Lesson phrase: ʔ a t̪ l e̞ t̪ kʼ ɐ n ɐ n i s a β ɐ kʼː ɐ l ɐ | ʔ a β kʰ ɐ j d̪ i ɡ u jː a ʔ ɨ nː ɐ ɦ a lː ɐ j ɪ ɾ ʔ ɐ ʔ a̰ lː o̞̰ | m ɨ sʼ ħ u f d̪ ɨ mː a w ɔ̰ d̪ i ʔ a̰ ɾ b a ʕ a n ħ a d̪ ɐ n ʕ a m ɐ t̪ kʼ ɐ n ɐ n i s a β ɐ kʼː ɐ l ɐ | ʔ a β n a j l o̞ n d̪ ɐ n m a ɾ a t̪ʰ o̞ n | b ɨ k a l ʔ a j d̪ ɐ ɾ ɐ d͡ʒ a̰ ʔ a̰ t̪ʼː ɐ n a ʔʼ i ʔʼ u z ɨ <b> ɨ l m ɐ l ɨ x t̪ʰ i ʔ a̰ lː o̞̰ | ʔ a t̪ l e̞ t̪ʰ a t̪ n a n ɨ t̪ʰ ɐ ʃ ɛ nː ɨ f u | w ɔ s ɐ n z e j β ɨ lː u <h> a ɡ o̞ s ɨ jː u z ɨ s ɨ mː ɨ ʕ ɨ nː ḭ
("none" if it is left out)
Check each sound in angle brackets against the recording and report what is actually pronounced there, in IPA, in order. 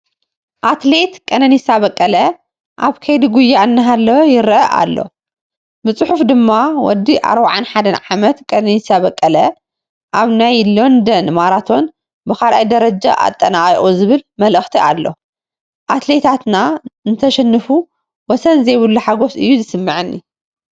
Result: β, ħ

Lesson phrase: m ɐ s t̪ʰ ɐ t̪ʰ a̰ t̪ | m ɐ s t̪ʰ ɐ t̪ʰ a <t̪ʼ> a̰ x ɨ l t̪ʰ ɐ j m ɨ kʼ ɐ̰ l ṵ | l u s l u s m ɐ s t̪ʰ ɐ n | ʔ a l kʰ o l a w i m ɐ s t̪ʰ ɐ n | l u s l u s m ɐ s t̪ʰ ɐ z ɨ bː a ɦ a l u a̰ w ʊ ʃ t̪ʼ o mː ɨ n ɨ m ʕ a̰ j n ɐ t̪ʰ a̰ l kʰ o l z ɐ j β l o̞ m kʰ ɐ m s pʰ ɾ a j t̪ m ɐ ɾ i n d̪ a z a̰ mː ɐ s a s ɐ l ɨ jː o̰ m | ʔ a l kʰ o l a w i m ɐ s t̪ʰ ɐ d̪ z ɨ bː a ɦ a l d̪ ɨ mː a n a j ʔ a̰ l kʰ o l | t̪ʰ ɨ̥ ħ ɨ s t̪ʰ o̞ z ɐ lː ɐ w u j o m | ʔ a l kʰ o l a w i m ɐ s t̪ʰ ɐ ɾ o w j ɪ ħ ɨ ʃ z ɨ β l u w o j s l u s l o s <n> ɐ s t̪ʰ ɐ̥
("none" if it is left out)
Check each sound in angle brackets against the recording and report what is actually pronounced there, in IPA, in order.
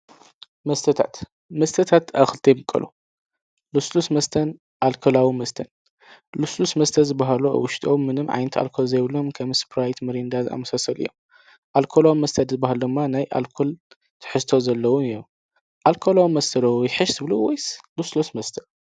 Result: t̪, m

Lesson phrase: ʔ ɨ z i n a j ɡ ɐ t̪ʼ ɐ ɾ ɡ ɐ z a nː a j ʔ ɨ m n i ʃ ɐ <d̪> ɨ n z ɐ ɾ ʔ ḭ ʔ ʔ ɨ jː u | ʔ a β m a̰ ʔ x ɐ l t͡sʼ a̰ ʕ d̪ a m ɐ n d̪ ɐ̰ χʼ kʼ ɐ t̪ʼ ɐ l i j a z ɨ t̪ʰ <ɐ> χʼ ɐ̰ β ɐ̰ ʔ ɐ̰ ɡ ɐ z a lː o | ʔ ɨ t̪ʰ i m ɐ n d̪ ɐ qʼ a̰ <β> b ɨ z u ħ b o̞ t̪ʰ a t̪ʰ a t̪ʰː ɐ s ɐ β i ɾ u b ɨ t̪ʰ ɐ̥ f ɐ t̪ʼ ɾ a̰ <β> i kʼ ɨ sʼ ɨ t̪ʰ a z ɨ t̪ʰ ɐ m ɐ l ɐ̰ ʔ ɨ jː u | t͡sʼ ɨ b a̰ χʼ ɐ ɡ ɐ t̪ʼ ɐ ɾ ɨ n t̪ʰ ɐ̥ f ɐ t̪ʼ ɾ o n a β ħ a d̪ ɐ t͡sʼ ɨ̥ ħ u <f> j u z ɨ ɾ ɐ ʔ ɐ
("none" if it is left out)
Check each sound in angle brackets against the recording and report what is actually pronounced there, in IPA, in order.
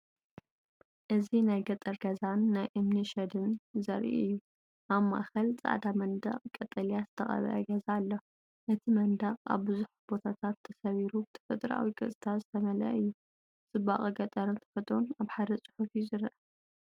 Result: d̪, ɐ, β, w, f

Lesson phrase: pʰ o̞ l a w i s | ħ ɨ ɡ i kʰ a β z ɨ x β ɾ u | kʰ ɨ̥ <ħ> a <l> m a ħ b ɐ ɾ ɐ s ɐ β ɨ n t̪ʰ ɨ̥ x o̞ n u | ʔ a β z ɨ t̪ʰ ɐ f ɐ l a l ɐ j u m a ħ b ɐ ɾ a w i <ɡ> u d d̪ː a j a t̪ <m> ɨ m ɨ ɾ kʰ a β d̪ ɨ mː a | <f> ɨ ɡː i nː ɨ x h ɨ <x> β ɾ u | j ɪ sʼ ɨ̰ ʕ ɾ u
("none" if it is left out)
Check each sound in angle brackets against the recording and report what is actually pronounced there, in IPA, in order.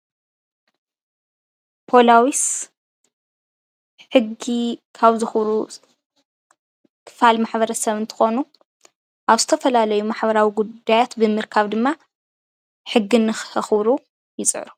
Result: f, l, ɡ, b, ħ, x

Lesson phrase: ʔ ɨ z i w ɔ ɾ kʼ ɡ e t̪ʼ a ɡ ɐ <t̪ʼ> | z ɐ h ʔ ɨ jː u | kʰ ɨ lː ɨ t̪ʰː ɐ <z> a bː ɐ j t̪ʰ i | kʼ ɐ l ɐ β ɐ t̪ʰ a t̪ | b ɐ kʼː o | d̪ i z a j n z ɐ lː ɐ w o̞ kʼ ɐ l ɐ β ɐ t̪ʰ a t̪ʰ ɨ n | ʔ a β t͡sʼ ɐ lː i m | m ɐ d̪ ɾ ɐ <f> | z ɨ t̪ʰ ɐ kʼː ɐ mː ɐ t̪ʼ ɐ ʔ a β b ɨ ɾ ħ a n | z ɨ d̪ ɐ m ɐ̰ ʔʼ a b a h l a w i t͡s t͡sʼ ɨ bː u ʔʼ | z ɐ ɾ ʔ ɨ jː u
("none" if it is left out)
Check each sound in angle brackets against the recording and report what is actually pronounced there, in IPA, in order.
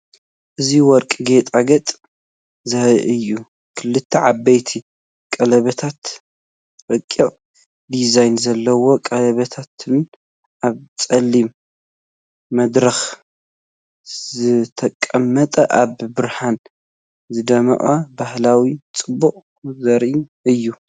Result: t̪ʼ, ʕ, x

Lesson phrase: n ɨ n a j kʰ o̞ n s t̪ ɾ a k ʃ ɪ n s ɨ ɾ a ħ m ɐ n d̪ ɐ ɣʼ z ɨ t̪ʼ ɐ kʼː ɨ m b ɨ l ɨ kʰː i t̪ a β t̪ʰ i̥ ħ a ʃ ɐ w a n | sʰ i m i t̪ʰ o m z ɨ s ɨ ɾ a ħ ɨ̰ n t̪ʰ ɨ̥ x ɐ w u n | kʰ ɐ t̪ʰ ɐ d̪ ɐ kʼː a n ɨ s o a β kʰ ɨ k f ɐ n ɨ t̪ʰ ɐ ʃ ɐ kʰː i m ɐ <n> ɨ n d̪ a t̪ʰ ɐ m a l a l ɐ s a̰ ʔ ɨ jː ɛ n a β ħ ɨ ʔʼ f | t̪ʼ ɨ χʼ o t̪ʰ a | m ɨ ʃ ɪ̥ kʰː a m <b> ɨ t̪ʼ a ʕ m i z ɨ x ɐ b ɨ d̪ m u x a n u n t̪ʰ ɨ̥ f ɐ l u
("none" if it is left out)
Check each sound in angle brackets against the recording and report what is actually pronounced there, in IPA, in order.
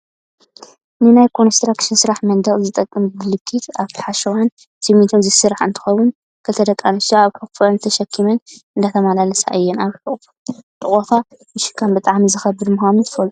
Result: n, b

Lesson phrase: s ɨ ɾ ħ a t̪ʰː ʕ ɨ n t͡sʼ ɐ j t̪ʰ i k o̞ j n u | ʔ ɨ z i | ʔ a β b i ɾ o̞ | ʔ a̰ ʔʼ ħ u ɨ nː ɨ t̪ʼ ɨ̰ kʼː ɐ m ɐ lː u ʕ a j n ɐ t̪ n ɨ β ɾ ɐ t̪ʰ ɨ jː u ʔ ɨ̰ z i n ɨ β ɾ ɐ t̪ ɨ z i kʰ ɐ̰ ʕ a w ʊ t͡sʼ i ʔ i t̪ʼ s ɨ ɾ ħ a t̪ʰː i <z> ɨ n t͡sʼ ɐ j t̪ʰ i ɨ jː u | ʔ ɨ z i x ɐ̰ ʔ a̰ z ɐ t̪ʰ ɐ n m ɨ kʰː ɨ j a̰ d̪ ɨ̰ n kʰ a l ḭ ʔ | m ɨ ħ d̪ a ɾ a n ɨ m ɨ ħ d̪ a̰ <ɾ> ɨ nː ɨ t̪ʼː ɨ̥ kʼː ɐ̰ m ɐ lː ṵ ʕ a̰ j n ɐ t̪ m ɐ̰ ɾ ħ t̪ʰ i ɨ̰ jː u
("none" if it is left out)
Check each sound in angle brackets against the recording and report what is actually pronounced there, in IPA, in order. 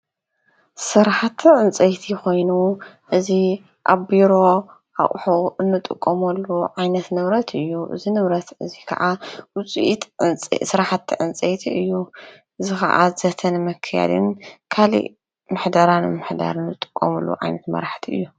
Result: ʕ, ɾ

